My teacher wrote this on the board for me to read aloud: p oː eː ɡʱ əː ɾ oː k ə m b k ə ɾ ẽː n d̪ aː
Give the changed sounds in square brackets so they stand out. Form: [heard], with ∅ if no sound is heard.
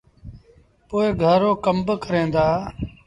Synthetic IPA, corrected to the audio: p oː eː ɡʱ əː ɾ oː k ə m b k ə ɾ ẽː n d̪ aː